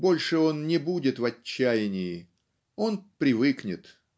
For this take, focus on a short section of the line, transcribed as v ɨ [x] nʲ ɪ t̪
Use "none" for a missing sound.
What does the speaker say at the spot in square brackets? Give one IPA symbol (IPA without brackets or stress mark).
k